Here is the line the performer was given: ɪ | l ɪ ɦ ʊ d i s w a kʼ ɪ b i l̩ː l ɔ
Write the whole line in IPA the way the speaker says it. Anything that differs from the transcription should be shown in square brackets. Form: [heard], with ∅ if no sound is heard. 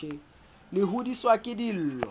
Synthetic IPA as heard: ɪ | l ɪ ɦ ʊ d i s w a kʼ ɪ [d] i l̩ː l ɔ